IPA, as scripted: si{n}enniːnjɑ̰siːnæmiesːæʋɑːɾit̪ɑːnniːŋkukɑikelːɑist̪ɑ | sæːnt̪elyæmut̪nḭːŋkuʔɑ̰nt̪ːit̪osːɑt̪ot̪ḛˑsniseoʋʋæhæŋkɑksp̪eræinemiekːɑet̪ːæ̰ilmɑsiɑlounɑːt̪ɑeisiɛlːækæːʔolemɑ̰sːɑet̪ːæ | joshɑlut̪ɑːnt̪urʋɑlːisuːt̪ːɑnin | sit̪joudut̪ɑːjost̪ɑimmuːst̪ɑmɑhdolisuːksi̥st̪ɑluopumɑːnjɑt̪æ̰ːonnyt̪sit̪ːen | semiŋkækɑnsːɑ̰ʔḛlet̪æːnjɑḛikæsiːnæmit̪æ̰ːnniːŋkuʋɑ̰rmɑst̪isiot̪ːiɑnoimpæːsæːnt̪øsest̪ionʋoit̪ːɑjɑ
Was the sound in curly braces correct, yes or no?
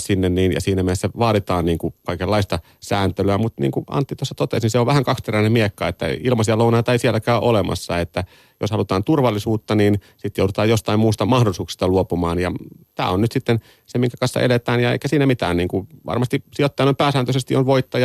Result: no